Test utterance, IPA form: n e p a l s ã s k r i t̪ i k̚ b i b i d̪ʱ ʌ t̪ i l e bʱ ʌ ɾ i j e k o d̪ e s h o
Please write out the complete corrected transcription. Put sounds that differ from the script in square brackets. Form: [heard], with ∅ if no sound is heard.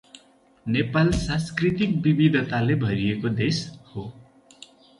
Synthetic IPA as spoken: n e p a l s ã s k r i t̪ i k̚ b i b i d̪ʱ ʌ t̪ [a] l e bʱ ʌ ɾ i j e k o d̪ e s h o